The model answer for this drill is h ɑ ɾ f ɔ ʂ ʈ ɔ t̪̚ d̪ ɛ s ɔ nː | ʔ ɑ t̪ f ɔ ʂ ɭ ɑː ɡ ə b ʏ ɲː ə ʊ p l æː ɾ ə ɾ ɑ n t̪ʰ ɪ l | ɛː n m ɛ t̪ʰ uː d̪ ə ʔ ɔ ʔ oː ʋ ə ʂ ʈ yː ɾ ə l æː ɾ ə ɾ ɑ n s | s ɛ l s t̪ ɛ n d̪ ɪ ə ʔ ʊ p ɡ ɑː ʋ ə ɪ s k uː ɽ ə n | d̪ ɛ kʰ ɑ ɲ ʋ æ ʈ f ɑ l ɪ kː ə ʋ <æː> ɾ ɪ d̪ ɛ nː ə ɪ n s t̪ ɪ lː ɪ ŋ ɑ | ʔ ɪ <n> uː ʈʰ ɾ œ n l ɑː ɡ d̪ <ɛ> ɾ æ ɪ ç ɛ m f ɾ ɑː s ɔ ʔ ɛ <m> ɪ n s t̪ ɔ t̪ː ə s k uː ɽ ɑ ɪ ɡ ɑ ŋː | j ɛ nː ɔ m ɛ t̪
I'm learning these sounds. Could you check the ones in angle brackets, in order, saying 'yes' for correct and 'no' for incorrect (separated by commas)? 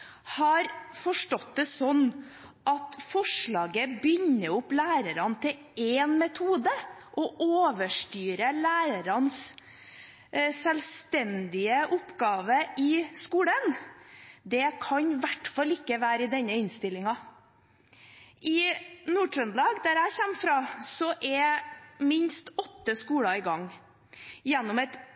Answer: yes, yes, no, yes